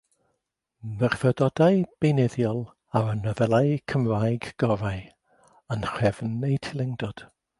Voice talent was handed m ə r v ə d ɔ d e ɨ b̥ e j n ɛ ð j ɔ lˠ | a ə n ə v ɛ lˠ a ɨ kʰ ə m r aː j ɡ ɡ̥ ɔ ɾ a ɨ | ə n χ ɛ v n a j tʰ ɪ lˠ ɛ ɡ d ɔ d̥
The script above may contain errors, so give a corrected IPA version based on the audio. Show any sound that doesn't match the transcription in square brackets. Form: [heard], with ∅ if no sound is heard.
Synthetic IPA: m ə r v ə d ɔ d [a] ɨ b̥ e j n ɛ ð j ɔ lˠ | a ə n ə v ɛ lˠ a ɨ kʰ ə m r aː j ɡ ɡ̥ ɔ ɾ a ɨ | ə n χ ɛ v n [e] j tʰ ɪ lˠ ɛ [ŋ] d ɔ d̥